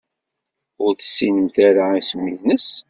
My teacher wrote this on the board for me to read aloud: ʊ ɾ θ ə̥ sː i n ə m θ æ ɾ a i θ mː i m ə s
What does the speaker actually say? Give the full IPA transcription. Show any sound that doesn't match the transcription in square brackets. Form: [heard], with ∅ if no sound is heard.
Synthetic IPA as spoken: ʊ ɾ θ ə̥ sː i n ə m θ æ ɾ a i [s] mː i [n] ə s